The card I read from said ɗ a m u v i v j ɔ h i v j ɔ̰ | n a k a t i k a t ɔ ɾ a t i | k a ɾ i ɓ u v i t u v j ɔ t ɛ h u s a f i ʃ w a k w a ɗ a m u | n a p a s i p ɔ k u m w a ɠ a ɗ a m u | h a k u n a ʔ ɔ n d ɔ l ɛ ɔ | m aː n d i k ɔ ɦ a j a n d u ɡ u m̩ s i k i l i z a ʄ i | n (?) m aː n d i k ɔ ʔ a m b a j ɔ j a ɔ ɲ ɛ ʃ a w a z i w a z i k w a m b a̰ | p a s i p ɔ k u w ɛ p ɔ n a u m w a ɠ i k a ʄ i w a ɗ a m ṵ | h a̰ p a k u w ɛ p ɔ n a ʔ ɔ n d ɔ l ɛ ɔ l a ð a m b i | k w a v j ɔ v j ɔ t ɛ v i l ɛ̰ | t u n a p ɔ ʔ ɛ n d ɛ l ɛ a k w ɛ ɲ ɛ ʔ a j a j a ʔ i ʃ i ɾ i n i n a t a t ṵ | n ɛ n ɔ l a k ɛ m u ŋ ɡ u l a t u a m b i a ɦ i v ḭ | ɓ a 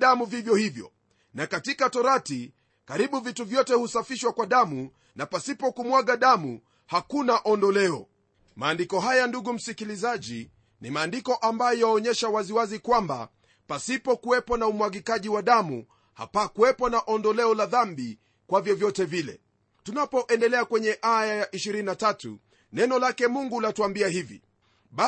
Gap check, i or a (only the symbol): i